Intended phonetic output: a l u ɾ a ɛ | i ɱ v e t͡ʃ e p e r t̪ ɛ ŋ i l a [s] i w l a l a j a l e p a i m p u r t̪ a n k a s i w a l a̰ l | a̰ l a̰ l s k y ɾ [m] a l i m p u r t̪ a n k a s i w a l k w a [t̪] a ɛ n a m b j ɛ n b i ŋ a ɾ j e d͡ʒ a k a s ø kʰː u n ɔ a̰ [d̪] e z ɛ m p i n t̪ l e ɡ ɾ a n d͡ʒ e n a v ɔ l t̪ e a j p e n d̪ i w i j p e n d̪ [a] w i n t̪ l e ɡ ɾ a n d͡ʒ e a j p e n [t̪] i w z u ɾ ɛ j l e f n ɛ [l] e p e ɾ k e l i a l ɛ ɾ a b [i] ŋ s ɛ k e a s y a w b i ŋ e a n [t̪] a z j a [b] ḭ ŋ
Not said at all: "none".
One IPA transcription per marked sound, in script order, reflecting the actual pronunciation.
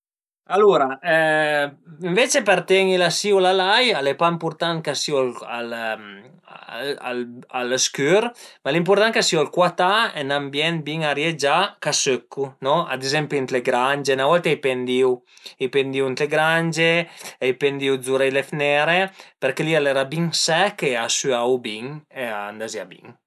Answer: s, m, t̪, d̪, i, d̪, ɾ, i, d̪, b

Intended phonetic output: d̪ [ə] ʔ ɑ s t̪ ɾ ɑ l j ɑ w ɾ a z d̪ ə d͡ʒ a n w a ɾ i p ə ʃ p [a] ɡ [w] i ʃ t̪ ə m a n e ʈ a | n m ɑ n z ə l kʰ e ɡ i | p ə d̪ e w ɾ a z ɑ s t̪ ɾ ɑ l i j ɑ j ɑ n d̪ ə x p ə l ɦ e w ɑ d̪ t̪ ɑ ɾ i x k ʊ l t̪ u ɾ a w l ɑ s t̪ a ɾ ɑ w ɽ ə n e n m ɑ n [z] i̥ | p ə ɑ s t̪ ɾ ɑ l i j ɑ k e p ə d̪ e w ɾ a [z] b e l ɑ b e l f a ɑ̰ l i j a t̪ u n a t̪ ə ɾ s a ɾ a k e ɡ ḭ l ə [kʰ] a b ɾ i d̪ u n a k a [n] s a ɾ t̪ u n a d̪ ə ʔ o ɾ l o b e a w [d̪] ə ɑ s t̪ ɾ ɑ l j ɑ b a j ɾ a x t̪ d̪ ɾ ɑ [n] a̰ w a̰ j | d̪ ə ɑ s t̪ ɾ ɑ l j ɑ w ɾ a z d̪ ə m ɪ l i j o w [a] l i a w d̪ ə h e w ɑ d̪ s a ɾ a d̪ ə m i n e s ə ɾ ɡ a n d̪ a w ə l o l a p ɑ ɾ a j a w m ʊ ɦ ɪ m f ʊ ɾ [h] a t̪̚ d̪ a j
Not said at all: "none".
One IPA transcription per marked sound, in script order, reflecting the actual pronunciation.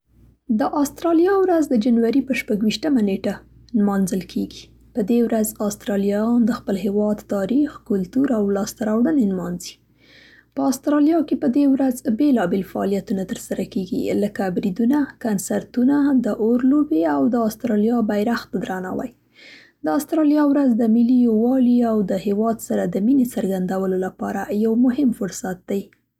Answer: ə, a, w, z, z, k, n, d̪, n, ɑ, s

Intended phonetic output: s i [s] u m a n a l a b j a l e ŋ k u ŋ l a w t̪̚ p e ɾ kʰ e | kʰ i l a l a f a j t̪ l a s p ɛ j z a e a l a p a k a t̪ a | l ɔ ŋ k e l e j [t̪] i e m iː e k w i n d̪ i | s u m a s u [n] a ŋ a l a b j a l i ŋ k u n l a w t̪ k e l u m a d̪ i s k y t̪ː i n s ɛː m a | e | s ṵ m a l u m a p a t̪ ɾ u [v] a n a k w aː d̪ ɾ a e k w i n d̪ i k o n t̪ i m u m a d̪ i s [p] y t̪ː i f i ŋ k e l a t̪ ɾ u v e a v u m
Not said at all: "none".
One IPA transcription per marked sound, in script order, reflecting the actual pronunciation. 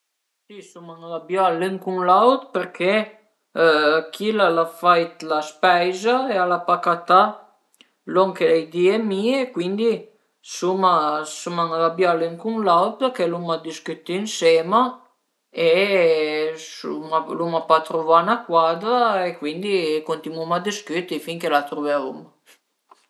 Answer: s, d̪, m, v, k

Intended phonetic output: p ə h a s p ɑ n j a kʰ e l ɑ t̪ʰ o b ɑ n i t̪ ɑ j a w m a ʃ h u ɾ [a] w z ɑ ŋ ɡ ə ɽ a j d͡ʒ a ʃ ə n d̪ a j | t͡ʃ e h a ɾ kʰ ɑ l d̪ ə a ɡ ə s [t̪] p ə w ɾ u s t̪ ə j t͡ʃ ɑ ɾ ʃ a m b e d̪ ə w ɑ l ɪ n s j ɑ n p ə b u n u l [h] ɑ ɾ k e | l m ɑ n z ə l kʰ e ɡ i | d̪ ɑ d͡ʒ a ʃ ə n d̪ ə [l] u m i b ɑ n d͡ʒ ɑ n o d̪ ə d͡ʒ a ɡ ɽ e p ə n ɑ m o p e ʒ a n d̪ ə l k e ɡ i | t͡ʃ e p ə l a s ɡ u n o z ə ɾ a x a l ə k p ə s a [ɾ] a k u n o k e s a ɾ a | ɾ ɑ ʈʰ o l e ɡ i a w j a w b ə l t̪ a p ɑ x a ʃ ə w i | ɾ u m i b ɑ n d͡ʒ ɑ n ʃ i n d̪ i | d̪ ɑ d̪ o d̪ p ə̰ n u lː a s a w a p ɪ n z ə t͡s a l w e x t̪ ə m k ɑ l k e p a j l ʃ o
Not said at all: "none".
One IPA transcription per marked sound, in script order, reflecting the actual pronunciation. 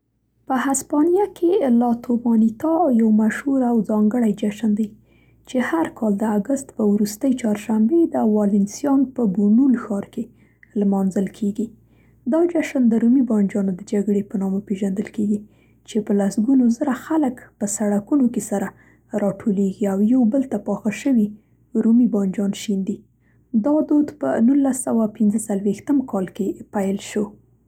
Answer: a, t̪, x, ɾ, ɽ

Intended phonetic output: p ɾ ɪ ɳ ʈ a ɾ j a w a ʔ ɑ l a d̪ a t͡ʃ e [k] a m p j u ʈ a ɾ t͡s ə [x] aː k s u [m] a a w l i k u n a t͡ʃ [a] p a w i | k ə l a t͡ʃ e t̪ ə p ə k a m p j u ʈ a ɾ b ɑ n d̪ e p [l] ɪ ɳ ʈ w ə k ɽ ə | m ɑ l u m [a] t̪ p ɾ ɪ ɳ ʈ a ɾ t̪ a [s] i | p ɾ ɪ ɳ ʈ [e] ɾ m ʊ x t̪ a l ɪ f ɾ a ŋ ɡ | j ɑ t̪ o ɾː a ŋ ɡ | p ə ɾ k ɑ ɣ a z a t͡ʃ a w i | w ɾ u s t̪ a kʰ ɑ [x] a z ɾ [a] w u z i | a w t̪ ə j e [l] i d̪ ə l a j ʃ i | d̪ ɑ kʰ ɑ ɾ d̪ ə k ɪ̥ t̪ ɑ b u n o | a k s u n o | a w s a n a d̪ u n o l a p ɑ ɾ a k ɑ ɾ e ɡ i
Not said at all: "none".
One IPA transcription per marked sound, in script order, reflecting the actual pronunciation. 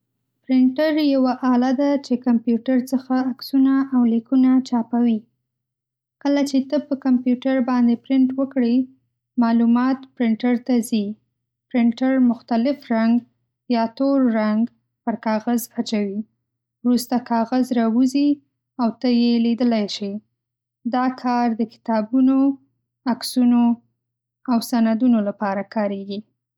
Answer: k, x, n, ɑ, ɾ, ɑ, z, a, ɣ, ɑ, l

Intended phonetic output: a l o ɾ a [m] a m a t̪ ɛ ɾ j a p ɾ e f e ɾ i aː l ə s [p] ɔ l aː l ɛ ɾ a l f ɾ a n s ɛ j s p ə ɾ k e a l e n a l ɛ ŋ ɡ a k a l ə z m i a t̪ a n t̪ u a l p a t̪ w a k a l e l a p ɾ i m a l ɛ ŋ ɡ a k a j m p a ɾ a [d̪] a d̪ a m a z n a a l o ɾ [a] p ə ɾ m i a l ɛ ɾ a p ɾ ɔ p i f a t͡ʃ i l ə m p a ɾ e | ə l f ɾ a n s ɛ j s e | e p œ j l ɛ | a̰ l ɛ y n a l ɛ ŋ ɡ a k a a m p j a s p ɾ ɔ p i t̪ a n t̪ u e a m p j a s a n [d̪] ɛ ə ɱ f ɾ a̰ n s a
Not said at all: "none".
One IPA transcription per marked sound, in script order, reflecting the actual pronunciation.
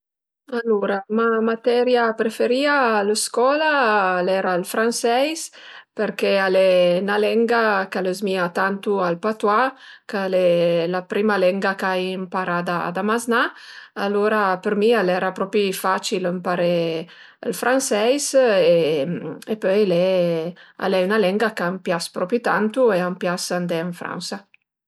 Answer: m, k, d̪, a, d̪

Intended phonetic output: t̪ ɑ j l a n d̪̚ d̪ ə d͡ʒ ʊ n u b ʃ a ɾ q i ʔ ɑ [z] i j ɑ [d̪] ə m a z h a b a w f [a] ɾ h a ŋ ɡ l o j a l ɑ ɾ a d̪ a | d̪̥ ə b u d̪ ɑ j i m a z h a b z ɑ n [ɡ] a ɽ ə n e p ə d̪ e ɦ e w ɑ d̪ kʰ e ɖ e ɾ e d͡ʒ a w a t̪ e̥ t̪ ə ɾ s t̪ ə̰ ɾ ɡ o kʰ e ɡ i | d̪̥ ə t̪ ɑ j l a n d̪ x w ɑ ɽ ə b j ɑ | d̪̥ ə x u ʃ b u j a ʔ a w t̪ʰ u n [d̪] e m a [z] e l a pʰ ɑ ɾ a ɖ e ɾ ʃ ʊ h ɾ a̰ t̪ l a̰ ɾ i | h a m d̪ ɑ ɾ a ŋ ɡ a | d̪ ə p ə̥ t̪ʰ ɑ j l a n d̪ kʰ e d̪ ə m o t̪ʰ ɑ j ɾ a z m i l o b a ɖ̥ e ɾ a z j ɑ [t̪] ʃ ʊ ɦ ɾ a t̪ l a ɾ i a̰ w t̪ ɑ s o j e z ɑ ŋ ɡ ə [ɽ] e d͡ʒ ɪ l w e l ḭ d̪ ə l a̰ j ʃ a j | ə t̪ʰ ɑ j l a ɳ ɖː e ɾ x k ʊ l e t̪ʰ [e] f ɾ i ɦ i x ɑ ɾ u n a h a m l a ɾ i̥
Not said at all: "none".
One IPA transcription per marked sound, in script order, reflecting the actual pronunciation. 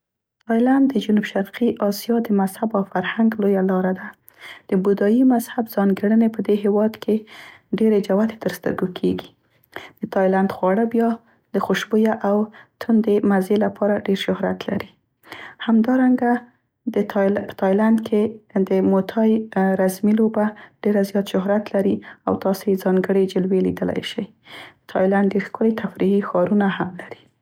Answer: s, d̪, a, ɡ, d̪, z, t̪, ɽ, a

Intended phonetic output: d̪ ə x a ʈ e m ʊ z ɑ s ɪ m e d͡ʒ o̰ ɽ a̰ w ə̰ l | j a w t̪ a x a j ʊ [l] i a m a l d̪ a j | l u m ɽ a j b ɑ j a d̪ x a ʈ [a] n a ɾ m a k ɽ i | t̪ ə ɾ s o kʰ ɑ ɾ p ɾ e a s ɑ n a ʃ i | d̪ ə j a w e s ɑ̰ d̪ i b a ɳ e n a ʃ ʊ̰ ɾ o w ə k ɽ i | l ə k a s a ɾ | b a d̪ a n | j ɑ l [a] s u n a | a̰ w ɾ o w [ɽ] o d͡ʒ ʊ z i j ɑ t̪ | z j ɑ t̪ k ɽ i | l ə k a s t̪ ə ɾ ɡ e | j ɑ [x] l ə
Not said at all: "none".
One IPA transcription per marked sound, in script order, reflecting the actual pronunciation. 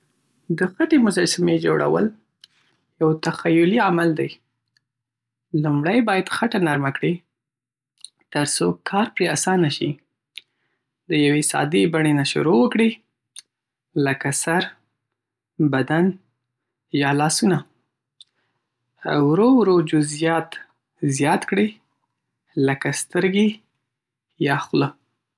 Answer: l, a, ɑ, ɾ, x

